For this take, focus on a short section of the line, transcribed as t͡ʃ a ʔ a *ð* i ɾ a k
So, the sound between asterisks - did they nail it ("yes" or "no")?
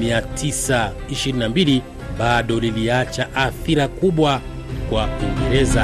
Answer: no